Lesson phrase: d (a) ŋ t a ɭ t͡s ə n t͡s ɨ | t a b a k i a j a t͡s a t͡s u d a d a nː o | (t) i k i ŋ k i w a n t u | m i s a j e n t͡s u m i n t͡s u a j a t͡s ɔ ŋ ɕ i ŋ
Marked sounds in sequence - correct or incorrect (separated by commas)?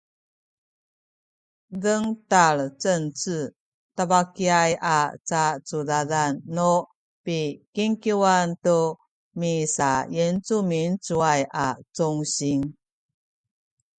incorrect, incorrect